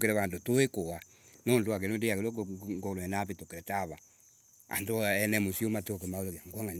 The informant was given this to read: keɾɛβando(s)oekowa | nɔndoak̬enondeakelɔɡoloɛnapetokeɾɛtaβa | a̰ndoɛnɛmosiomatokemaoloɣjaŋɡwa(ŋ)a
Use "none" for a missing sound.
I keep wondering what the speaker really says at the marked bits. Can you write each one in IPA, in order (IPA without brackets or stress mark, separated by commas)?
t, ŋ